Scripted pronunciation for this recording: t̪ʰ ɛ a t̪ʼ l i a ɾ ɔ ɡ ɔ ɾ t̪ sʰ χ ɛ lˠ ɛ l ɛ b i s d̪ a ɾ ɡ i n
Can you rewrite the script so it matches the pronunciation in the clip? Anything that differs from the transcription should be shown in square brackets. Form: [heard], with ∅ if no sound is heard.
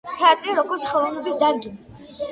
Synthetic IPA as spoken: t̪ʰ ɛ a t̪ʼ [ɾ] i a ɾ ɔ ɡ ɔ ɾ t̪ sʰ χ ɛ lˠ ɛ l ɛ b i s d̪ a ɾ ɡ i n